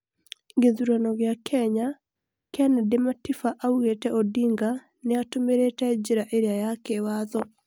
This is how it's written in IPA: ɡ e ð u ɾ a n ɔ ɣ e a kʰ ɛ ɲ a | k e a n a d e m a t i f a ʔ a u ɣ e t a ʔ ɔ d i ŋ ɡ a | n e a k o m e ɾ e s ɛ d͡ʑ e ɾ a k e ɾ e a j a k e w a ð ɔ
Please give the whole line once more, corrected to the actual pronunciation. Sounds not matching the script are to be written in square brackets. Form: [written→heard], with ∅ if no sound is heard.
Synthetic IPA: ɡ e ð u ɾ a n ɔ ɣ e a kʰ ɛ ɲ a | k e a n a d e m a t i f a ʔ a u ɣ e t [a→ɛ] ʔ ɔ d i ŋ ɡ a | n e a [k→t] o m e ɾ e [s→t] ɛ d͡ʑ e ɾ a [k→ʔ] e ɾ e a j a k e w a ð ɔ

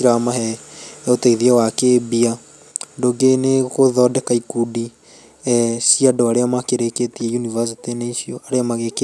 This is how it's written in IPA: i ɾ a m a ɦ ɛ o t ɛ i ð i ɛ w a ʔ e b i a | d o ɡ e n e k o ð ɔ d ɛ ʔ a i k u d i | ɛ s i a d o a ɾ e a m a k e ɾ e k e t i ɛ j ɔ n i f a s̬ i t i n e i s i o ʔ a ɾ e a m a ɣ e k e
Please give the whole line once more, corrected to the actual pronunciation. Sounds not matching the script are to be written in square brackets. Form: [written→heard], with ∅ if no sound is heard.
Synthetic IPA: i ɾ a m a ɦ ɛ o t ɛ i ð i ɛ w a [ʔ→k] e b i a | d o ɡ e n e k o ð ɔ d ɛ [ʔ→k] a i k u d i | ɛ s i a d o a ɾ e a m a k e ɾ e k e t i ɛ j [ɔ→u] n i [f→v] a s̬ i t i n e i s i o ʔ a ɾ e a m a ɣ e k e

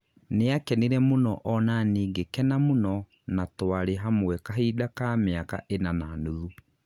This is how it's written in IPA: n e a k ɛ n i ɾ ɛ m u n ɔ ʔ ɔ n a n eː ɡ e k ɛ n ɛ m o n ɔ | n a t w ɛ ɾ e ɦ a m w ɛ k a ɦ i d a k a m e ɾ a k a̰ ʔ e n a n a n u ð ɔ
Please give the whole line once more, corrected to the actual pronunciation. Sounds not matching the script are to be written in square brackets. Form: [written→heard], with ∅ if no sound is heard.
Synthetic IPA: n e a k ɛ n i ɾ ɛ m [u→o] n ɔ ʔ ɔ n a n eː ɡ e k ɛ n [ɛ→a] m o n ɔ | n a t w [ɛ→a] ɾ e ɦ a m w ɛ k a ɦ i d a k a m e [ɾ→∅] a k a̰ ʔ e n a n a n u ð [ɔ→u]

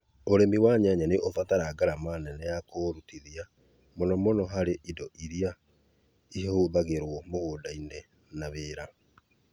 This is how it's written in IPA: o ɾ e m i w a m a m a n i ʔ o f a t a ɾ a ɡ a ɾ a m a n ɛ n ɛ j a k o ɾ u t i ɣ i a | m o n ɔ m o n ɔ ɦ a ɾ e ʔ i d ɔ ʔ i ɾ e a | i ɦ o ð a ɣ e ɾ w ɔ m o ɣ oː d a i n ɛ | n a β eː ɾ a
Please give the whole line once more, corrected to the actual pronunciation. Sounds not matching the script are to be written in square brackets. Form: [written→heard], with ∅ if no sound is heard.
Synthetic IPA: o ɾ e m i w a [m→ɲ] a [m→ɲ] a n [i→e] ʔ o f a t a ɾ a ɡ a ɾ a m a n ɛ n ɛ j a k o ɾ u t i [ɣ→ð] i a | m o n ɔ m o n ɔ ɦ a ɾ e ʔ i d ɔ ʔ i ɾ [e→i] a | i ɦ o ð a ɣ e ɾ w ɔ m o ɣ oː d a i n ɛ | n a β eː ɾ a

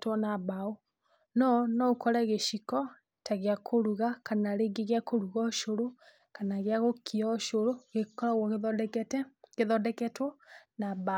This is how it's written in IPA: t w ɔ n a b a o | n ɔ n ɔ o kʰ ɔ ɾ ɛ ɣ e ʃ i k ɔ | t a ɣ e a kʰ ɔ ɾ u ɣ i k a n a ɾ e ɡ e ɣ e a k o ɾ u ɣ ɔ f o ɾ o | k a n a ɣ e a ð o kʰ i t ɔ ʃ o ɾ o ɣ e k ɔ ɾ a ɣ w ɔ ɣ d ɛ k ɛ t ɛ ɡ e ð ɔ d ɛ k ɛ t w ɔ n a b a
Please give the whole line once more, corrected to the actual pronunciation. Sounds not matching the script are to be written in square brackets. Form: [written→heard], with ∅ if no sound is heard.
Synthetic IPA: t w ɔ n a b a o | n ɔ n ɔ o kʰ ɔ ɾ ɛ ɣ e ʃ i k ɔ | t a ɣ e a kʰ [ɔ→o] ɾ u ɣ [i→a] k a n a ɾ e ɡ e ɣ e a k o ɾ u ɣ ɔ [f→ʃ] o ɾ o | k a n a ɣ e a [ð→ɣ] o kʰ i [t→∅] ɔ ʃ o ɾ o ɣ e k ɔ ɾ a ɣ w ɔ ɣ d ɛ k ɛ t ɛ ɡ e ð ɔ d ɛ k ɛ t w ɔ n a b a

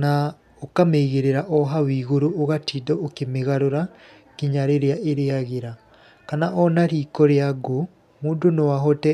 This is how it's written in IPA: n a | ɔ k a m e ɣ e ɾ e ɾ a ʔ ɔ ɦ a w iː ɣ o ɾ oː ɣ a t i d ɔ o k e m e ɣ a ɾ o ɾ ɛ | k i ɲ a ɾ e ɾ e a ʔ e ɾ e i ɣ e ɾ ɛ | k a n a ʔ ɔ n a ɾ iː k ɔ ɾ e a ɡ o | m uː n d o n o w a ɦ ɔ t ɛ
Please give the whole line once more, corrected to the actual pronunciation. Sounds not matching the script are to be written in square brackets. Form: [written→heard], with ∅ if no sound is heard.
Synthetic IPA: n a | [ɔ→o] k a m e ɣ e ɾ e ɾ a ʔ ɔ ɦ a w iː ɣ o ɾ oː ɣ a t i d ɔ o k e m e ɣ a ɾ o ɾ [ɛ→a] | k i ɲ a ɾ e ɾ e a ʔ e ɾ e [i→a] ɣ e ɾ [ɛ→a] | k a n a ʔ ɔ n a ɾ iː k ɔ ɾ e a ɡ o | m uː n d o n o w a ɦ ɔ t ɛ

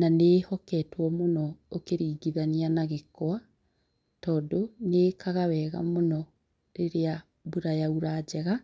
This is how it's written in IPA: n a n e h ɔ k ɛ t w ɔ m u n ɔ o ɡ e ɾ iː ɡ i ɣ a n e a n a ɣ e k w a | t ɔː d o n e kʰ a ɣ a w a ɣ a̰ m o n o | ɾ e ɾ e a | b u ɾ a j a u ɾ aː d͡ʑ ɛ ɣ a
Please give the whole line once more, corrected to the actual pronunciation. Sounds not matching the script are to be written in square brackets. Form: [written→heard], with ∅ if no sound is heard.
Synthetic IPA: n a n e h ɔ k ɛ t w ɔ m [u→o] n ɔ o [ɡ→k] e ɾ iː ɡ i [ɣ→ð] a n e a n a ɣ e k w a | t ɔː d o n e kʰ a ɣ a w [a→ɛ] ɣ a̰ m o n [o→ɔ] | ɾ e ɾ e a | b u ɾ a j a u ɾ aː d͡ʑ ɛ ɣ a

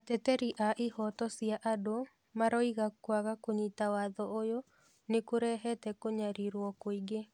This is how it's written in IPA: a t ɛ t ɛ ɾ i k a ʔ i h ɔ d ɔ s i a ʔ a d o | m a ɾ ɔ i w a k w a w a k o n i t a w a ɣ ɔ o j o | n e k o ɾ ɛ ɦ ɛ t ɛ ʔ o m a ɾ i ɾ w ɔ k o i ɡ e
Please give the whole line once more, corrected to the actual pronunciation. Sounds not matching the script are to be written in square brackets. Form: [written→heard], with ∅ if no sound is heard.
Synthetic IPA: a t ɛ t ɛ ɾ i [k→ʔ] a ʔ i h ɔ [d→t] ɔ s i a ʔ a d o | m a ɾ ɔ i [w→ɣ] a k w a [w→ɣ] a k o [n→ɲ] i t a w a [ɣ→ð] ɔ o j o | n e k o ɾ ɛ ɦ ɛ t ɛ [ʔ→k] o [m→ɲ] a ɾ i ɾ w ɔ k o i ɡ e

